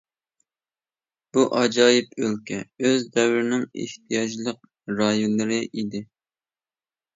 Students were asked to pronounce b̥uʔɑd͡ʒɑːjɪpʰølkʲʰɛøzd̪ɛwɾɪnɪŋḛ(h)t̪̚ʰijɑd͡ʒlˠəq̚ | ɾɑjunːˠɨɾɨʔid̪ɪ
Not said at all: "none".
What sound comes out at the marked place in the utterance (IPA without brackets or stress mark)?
h